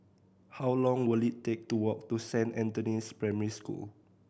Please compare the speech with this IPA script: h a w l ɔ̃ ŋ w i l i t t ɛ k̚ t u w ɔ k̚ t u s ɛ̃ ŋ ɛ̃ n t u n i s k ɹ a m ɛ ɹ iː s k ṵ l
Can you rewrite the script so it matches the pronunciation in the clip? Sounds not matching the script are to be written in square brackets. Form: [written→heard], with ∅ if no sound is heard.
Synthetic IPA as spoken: h a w l ɔ̃ ŋ w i l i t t [ɛ→e] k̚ t u w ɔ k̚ t u s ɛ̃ [ŋ→n] ɛ̃ n t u n i s [k→p] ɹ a m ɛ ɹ [iː→i] s k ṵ l